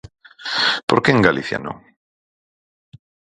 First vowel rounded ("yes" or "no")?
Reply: yes